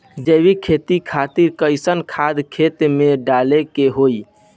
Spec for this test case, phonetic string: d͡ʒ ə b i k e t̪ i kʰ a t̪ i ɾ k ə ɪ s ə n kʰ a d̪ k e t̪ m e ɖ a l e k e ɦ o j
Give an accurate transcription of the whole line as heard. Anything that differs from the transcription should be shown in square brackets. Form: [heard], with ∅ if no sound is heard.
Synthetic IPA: d͡ʒ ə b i [kʰ] e t̪ i kʰ a t̪ i ɾ k ə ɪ s ə n kʰ a d̪ [kʰ] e t̪ m e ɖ a l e k e ɦ o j